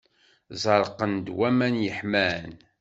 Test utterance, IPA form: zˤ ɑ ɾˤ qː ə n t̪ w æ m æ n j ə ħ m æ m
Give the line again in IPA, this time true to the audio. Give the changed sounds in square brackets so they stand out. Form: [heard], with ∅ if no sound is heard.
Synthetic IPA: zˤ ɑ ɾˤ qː ə n [d̪] w æ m æ n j ə ħ m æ [n]